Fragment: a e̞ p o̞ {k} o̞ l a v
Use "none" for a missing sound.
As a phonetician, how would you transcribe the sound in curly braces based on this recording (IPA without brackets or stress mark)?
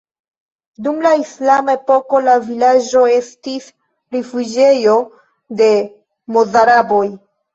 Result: k